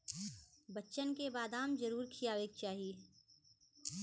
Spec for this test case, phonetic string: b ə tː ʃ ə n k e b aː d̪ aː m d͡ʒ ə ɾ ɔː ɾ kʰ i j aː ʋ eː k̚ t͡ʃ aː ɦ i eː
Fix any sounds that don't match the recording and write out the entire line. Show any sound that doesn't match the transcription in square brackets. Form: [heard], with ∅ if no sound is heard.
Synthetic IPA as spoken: b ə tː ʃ ə n k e b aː d̪ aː m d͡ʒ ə ɾ [uː] ɾ kʰ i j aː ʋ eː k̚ t͡ʃ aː ɦ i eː

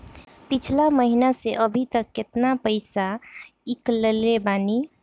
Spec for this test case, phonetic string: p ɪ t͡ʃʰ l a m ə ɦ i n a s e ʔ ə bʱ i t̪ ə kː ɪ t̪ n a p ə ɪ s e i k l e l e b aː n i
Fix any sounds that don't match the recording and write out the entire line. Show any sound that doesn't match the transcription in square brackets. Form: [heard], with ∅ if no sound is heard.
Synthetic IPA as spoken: p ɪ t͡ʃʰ l a m ə ɦ i n a s e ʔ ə bʱ i t̪ ə kː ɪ t̪ n a p ə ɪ s [a] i k l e l e b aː n i

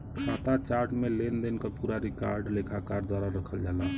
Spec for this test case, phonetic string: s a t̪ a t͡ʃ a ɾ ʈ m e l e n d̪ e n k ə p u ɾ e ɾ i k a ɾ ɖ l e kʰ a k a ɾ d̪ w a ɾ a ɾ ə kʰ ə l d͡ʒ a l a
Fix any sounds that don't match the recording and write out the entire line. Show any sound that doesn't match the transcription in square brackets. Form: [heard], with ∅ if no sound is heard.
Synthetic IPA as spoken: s a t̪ a t͡ʃ a ɾ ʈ m e l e n d̪ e n k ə p u ɾ [a] ɾ i k a ɾ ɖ l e kʰ a k a ɾ d̪ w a ɾ a ɾ ə kʰ ə l d͡ʒ a l a

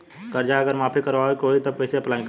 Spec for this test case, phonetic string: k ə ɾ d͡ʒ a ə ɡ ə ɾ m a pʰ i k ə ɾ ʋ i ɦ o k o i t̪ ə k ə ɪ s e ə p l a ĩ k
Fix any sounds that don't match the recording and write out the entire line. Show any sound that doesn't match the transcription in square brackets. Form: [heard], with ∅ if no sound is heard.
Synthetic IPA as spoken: k ə ɾ d͡ʒ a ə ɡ ə ɾ m a pʰ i k ə ɾ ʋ [a] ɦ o k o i t̪ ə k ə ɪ s e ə p l a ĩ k

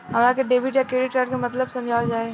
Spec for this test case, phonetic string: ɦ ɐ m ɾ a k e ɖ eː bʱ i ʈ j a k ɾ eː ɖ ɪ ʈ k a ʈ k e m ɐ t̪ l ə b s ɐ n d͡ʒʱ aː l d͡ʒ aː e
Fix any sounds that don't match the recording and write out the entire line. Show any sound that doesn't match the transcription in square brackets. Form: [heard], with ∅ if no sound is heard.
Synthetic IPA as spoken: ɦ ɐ m ɾ a k e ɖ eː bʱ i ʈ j a k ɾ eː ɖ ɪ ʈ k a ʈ k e m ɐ t̪ l ə b s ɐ [m] d͡ʒʱ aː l d͡ʒ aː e

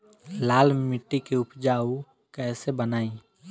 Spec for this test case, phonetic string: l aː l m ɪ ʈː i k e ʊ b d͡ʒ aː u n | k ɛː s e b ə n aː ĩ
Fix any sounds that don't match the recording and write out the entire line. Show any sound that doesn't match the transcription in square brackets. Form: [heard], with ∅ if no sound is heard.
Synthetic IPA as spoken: l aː l m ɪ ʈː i k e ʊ [p] d͡ʒ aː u [∅] | k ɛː s e b ə n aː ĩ

